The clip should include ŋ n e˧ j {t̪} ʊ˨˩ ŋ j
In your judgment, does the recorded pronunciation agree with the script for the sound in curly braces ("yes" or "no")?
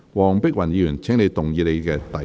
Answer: yes